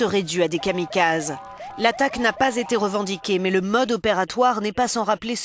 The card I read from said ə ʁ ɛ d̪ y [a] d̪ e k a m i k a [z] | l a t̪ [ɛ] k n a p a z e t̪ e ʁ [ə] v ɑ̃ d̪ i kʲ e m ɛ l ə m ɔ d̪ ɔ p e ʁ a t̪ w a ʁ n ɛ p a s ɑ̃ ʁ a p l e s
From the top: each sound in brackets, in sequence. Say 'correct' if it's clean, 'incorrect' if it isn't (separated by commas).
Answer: correct, correct, incorrect, correct